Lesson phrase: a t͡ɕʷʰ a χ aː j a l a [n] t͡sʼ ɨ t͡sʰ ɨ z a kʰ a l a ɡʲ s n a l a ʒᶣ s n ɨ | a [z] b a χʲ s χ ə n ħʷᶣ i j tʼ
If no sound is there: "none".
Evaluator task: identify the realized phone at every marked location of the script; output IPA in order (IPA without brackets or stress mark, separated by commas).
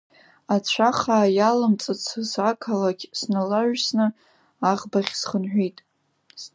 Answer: m, ʁ